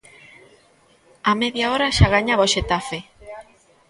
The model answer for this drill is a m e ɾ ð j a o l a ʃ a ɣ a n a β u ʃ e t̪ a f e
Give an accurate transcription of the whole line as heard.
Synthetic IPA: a m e ð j a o ɾ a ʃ a ɣ a ɲ a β o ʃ e t̪ a f e